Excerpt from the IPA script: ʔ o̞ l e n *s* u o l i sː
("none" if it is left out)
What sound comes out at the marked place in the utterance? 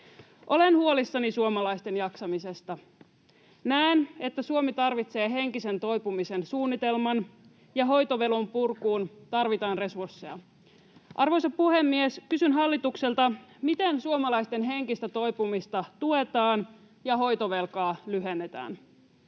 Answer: h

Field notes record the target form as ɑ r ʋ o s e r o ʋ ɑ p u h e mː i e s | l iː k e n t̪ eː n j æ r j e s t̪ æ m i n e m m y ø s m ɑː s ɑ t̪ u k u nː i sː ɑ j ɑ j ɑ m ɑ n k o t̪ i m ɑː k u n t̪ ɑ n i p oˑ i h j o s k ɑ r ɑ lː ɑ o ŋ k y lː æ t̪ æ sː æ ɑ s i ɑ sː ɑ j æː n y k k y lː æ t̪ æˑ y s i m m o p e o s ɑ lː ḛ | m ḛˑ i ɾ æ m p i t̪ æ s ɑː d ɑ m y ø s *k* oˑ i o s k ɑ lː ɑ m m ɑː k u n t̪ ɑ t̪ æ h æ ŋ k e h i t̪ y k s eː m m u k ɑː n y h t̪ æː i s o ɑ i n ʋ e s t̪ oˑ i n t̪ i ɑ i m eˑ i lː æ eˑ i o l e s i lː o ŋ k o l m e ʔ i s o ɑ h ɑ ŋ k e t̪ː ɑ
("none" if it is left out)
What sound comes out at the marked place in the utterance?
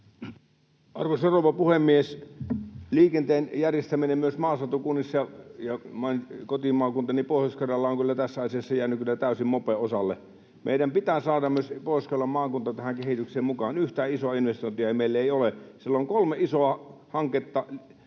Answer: p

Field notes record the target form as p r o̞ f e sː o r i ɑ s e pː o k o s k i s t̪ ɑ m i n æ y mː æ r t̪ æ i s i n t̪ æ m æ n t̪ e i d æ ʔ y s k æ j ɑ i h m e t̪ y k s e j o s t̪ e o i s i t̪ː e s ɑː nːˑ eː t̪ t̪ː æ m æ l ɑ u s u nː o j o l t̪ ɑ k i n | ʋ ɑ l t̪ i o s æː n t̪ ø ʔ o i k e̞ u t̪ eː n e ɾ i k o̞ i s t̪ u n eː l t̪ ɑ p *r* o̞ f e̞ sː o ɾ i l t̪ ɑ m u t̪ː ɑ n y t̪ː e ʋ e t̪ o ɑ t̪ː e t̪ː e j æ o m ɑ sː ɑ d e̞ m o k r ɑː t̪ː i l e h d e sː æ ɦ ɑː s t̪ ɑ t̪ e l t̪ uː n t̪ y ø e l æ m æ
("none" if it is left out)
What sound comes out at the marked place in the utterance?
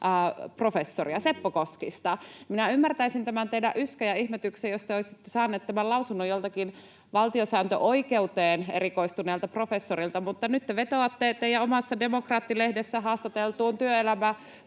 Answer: r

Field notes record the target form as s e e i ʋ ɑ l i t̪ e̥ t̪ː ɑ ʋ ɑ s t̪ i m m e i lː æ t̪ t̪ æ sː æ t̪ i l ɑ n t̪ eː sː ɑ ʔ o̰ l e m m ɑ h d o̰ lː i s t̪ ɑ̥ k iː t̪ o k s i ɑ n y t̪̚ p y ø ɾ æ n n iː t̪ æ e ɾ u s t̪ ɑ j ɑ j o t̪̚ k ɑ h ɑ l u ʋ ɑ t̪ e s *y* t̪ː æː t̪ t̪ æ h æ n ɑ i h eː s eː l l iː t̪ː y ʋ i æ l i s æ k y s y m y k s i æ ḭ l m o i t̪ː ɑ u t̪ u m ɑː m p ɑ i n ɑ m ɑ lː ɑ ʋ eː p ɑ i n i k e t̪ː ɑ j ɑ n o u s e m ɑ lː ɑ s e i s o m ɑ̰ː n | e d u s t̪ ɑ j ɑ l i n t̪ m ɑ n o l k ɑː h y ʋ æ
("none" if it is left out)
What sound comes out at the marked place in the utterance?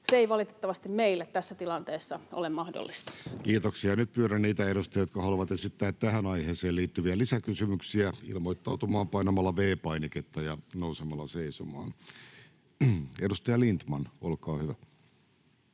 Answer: i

